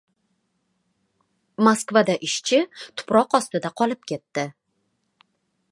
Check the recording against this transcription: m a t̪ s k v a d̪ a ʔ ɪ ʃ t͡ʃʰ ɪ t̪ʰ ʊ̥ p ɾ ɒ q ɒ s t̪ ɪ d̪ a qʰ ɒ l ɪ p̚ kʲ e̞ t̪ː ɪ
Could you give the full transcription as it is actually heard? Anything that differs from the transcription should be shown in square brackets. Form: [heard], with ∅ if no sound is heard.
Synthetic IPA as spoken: m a [∅] s k v a d̪ a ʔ ɪ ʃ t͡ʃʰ ɪ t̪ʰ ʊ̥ p ɾ ɒ q ɒ s t̪ ɪ d̪ a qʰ ɒ l ɪ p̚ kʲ e̞ t̪ː ɪ